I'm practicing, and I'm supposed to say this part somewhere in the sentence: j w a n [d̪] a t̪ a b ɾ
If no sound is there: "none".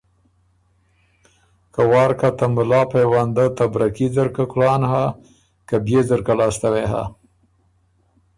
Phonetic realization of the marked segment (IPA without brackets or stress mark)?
d̪